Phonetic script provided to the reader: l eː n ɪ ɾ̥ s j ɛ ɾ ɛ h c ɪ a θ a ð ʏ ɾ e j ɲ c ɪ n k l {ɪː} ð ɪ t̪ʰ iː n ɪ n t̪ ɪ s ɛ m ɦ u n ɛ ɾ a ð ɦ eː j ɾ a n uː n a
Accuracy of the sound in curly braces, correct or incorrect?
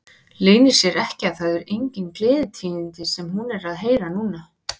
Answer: correct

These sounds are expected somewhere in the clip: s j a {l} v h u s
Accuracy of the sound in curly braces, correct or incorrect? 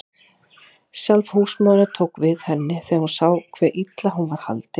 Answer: correct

